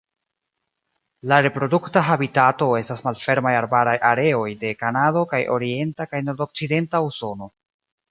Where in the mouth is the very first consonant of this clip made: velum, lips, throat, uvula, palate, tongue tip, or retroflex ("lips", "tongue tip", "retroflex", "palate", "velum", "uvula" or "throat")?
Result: tongue tip